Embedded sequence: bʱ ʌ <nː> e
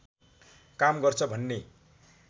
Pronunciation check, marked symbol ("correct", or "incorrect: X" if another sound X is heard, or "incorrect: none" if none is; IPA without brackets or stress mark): correct